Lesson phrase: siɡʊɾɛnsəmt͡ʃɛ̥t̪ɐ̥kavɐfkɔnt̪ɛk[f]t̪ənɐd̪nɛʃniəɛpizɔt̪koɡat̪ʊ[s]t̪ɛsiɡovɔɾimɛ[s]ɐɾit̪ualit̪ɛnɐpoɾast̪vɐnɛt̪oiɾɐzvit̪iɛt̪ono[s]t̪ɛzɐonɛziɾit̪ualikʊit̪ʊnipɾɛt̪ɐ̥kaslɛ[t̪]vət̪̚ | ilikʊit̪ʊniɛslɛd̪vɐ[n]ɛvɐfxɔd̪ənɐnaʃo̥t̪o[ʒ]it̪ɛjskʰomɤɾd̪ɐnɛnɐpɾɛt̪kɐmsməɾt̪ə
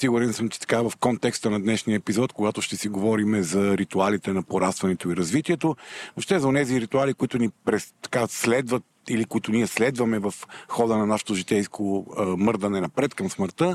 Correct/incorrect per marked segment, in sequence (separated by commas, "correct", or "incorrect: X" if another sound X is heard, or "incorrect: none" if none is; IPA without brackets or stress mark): incorrect: s, incorrect: ʃ, incorrect: z, incorrect: ʃ, incorrect: d̪, incorrect: m, correct